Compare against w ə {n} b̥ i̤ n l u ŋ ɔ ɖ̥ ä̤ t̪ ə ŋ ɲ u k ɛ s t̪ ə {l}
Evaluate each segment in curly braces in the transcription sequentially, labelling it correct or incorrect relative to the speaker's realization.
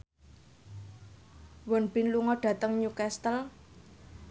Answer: correct, correct

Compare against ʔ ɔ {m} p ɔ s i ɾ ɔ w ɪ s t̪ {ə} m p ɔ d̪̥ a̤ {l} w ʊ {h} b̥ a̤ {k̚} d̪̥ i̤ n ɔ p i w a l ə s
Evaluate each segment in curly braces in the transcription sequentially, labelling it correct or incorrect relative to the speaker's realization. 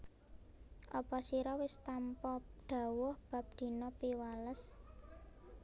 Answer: incorrect: none, incorrect: a, incorrect: none, correct, incorrect: p̚

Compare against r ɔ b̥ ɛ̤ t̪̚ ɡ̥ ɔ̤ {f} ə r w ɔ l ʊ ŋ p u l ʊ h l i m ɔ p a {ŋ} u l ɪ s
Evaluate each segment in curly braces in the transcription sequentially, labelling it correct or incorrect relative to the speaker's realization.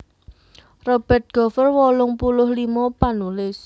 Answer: correct, incorrect: n

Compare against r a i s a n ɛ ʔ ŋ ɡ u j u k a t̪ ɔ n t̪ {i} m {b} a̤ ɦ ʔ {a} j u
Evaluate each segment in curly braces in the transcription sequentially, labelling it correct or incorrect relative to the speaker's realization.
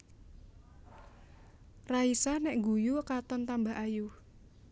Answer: incorrect: a, correct, correct

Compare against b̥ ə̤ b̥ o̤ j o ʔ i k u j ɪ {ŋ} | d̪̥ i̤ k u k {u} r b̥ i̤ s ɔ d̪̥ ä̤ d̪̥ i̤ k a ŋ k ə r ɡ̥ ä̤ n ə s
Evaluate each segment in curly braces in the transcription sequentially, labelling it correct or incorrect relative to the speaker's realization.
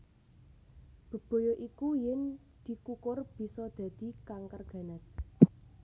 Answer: incorrect: n, incorrect: ʊ

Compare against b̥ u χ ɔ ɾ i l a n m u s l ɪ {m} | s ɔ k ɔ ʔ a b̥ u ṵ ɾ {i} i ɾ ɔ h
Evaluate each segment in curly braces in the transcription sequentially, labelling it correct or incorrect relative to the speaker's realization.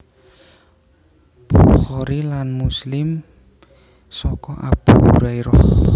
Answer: correct, incorrect: a

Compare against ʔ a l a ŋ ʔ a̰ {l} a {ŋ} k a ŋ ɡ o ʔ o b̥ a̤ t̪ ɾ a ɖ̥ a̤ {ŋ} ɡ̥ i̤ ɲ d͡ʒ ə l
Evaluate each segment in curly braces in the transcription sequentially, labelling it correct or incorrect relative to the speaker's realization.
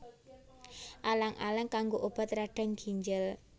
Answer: correct, correct, correct

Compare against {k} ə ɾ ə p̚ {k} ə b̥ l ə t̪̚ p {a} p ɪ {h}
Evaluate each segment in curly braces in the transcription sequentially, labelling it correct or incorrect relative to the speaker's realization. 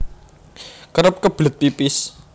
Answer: correct, correct, incorrect: i, incorrect: s

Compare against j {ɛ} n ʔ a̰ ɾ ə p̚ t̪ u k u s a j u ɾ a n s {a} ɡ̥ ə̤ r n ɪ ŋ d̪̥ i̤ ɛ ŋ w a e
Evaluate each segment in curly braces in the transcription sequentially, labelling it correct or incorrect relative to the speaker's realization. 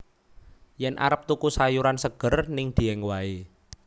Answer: correct, incorrect: ə

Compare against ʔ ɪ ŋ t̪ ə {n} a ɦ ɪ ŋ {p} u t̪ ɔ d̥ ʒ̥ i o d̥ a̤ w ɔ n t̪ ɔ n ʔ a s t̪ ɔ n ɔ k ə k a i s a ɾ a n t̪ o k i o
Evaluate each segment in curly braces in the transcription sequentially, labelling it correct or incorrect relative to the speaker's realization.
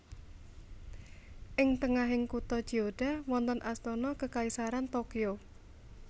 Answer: incorrect: ŋ, incorrect: k

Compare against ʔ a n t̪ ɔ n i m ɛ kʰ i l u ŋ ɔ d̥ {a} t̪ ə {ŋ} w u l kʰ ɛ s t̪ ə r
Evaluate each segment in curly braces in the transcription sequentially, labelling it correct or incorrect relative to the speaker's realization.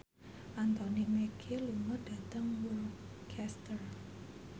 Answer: correct, correct

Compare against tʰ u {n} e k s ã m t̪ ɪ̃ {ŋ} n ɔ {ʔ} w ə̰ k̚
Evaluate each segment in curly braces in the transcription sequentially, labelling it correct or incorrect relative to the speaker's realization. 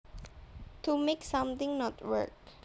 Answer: incorrect: m, correct, incorrect: t

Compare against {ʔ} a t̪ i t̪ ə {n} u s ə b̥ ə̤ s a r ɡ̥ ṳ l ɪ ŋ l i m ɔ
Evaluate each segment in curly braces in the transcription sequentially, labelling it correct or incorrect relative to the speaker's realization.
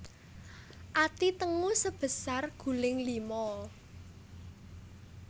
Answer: correct, incorrect: ŋ

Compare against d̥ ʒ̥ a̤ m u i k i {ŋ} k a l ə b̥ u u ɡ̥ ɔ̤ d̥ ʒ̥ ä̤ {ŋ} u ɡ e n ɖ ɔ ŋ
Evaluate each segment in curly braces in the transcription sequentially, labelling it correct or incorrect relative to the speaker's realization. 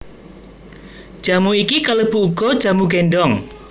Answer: incorrect: none, incorrect: m

